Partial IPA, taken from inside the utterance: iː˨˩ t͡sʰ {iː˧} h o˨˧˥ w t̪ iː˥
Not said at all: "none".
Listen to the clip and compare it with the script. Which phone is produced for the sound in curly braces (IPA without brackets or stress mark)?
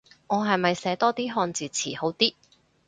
iː˨˩